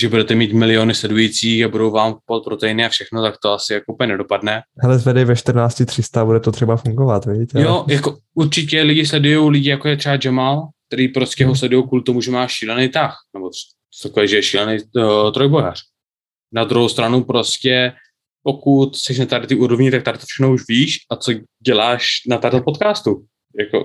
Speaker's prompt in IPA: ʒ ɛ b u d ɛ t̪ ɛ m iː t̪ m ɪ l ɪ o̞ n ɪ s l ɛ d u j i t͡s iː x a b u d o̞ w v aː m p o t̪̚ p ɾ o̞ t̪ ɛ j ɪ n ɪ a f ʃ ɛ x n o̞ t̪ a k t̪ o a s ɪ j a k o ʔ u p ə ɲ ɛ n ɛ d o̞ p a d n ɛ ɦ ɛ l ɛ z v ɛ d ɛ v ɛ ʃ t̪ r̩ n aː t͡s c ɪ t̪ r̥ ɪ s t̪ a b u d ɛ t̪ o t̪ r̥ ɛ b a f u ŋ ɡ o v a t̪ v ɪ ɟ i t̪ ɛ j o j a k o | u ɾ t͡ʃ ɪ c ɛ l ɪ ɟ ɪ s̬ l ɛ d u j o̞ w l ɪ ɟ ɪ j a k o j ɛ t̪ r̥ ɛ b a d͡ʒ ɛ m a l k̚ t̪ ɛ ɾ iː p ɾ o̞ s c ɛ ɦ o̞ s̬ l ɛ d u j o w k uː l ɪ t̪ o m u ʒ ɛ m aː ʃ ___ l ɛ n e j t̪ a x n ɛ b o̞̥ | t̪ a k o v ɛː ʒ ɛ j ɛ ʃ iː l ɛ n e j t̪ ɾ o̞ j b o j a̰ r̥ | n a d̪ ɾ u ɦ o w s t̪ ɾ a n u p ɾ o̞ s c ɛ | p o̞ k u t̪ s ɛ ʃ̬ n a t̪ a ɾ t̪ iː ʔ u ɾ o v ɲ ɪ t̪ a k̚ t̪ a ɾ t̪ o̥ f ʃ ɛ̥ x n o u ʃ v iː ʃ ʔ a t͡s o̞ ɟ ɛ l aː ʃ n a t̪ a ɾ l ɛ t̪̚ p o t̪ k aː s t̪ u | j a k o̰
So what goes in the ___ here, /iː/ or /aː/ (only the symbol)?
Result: iː